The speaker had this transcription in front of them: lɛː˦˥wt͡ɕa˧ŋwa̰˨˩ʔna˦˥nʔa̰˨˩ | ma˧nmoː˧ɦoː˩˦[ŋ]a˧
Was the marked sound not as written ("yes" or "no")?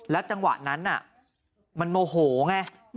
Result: no